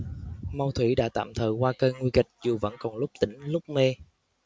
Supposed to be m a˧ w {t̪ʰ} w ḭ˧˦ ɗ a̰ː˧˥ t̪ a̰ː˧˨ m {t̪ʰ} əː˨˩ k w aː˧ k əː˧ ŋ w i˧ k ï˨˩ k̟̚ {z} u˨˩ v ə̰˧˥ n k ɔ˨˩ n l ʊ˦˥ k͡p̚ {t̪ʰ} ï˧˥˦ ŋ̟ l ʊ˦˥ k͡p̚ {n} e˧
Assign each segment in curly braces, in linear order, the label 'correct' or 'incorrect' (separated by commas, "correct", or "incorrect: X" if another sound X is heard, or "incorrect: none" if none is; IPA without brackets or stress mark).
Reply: correct, correct, correct, incorrect: t̪, incorrect: m